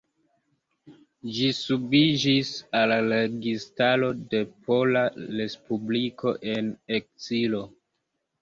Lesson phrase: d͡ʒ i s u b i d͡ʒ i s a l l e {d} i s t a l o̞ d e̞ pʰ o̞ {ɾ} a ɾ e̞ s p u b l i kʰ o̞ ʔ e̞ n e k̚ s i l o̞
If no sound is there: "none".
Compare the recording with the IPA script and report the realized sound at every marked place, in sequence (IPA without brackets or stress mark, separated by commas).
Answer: ɡ, l